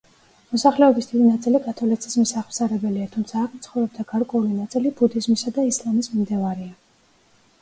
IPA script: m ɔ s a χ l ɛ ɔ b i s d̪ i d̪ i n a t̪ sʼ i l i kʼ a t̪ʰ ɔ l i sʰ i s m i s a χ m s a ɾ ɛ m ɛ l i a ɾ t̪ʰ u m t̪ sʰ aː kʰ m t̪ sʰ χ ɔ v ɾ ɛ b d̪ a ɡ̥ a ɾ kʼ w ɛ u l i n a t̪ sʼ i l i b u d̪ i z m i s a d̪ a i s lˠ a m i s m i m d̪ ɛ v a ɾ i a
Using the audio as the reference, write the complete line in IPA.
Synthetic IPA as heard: m ɔ s a χ l ɛ ɔ b i s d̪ i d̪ i n a t̪ sʼ i l i kʼ a t̪ʰ ɔ l i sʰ i s m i s a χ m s a ɾ ɛ b ɛ l i a t̪ʰ u m t̪ sʰ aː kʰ m t̪ sʰ χ ɔ v ɾ ɛ b d̪ a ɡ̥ a ɾ kʼ w ɛ u l i n a t̪ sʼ i l i b u d̪ i z m i s a d̪ a i s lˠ a m i s m i m d̪ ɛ v a ɾ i a

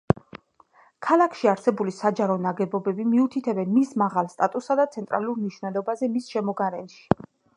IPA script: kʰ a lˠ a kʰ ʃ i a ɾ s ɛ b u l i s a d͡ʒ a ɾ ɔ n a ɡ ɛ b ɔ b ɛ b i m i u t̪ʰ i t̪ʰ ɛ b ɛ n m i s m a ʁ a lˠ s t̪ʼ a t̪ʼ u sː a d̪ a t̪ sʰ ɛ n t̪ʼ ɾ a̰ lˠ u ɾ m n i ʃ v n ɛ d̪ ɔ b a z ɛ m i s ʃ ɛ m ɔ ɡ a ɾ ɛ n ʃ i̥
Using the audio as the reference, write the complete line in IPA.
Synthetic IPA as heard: kʰ a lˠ a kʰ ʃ i a ɾ s ɛ b u l i s a d͡ʒ a ɾ ɔ n a ɡ ɛ b ɔ b ɛ b i m i u t̪ʰ i t̪ʰ ɛ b ɛ n m i s m a ʁ a lˠ s t̪ʼ a t̪ʼ u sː a d̪ a t̪ sʰ ɛ n t̪ʼ ɾ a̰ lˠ u ɾ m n i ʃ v n ɛ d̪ ɔ b a z ɛ m i s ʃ ɛ m ɔ ɡ a ɾ ɛ n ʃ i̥

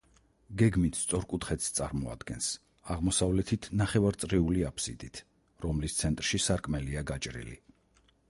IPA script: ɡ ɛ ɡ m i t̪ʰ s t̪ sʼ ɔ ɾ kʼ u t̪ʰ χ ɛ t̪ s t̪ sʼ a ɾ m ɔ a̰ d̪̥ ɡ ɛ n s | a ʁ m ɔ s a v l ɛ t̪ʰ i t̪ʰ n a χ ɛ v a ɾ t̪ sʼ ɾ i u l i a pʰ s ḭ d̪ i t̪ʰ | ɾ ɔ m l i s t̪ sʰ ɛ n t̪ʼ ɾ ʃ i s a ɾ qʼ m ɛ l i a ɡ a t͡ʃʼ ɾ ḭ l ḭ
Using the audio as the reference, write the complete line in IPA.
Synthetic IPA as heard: ɡ ɛ ɡ m i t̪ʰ s t̪ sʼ ɔ ɾ kʼ u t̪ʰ χ ɛ t̪ s t̪ sʼ a ɾ m ɔ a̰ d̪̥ ɡ ɛ n s | a ʁ m ɔ s a v l ɛ t̪ʰ i t̪ʰ n a χ ɛ v a ɾ t̪ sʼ ɾ i u l i a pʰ s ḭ d̪ i t̪ʰ | ɾ ɔ m l i s t̪ sʰ ɛ n t̪ʼ ɾ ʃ i s a ɾ kʼ m ɛ l i a ɡ a t͡ʃʼ ɾ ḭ l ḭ

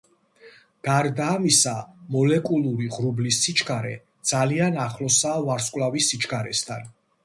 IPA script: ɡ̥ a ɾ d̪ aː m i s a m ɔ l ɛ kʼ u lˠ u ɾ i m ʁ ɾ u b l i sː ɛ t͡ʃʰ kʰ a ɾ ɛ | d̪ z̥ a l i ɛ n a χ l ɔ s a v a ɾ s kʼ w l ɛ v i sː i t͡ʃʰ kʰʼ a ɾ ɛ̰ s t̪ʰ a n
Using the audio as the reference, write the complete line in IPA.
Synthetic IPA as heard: ɡ̥ a ɾ d̪ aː m i s a m ɔ l ɛ kʼ u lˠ u ɾ i ʁ ɾ u b l i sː i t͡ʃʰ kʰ a ɾ ɛ | d̪ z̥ a l i a n a χ l ɔ s a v a ɾ s kʼ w l a v i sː i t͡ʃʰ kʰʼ a ɾ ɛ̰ s t̪ʰ a n

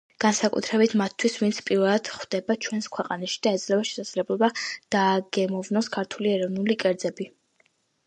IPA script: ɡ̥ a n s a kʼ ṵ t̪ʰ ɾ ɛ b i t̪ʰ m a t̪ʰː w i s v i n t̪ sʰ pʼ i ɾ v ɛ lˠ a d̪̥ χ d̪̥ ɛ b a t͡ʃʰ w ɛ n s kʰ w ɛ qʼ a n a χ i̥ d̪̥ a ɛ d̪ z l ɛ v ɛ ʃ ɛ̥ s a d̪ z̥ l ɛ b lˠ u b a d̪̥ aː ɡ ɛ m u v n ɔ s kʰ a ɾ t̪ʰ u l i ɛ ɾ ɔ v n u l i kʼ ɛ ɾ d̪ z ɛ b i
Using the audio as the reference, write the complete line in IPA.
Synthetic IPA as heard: ɡ̥ a n s a kʼ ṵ t̪ʰ ɾ ɛ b i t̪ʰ m a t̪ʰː w i s v i n t̪ sʰ pʼ i ɾ v ɛ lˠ a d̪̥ χ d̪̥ ɛ b a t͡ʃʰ w ɛ n s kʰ w ɛ qʼ a n a ʃ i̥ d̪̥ a ɛ d̪ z l ɛ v a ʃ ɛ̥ s a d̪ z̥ l ɛ b lˠ ɔ b a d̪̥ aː ɡ ɛ m ɔ v n ɔ s kʰ a ɾ t̪ʰ u l i ɛ ɾ ɔ v n u l i kʼ ɛ ɾ d̪ z ɛ b i

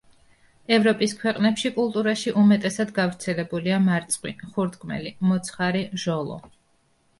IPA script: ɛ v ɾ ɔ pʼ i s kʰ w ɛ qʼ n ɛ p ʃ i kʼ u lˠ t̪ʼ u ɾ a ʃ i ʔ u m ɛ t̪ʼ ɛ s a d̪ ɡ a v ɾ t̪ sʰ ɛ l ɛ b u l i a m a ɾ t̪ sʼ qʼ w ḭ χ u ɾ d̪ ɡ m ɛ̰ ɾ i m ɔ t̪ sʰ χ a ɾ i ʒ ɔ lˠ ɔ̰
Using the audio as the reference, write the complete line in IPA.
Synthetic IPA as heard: ɛ v ɾ ɔ pʼ i s kʰ w ɛ qʼ n ɛ p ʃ i kʼ u lˠ t̪ʼ u ɾ a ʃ i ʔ u m ɛ t̪ʼ ɛ s a d̪ ɡ a v ɾ t̪ sʰ ɛ l ɛ b u l i a m a ɾ t̪ sʼ qʼ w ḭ χ u ɾ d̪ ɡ m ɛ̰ l i m ɔ t̪ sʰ χ a ɾ i ʒ ɔ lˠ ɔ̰

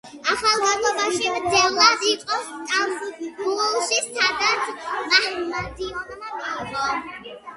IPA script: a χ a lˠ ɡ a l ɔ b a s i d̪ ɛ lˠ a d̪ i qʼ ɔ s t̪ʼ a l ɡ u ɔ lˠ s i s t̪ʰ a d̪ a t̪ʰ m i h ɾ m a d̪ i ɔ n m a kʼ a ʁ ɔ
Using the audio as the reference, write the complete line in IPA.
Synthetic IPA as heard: a χ a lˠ ɡ a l ɔ b a ʃ i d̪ ɛ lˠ a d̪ i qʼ ɔ s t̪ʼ a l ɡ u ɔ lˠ ʃ i s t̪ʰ a d̪ a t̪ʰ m a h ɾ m a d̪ i ɔ n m a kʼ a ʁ ɔ

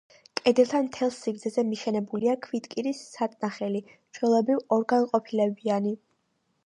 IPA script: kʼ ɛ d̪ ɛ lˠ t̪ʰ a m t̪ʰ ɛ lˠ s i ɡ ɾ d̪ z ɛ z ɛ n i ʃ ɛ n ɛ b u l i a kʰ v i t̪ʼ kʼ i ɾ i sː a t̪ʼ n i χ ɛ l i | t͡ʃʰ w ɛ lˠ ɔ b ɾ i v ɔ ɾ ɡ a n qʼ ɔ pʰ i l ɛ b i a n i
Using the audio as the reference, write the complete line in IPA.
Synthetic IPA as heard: kʼ ɛ d̪ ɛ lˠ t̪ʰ a m t̪ʰ ɛ lˠ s i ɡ ɾ d̪ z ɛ z ɛ m i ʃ ɛ n ɛ b u l i a kʰ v i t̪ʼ kʼ i ɾ i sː a t̪ʼ n a χ ɛ l i | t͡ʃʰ w ɛ lˠ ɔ b ɾ i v ɔ ɾ ɡ a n qʼ ɔ pʰ i l ɛ b i a n i

